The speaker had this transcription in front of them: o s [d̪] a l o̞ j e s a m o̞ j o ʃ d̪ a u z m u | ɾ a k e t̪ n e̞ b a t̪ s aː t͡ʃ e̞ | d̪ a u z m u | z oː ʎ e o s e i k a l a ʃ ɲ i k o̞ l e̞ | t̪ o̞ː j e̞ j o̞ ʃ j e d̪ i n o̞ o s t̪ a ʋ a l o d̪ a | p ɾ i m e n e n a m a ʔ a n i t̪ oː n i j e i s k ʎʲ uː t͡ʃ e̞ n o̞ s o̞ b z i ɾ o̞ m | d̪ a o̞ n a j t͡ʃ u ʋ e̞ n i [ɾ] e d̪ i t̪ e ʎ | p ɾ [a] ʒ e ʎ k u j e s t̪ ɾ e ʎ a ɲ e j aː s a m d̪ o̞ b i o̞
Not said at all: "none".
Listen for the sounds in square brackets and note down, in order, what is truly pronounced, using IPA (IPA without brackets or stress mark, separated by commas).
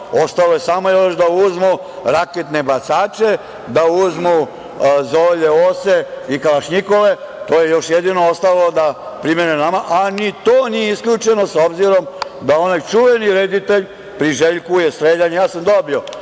t̪, ɾ, i